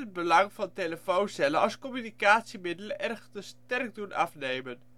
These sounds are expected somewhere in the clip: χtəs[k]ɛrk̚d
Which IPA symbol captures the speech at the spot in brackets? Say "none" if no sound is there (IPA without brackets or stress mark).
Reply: t